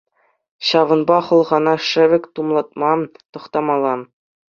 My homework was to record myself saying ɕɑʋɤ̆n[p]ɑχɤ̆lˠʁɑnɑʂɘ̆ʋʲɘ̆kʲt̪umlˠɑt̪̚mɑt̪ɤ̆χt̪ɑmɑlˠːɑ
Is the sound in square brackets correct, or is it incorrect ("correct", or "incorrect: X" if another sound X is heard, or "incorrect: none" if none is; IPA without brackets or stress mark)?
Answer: incorrect: b